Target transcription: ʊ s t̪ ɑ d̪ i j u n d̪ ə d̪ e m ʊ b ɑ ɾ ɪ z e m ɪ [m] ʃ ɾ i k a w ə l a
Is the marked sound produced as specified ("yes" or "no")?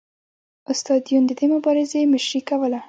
no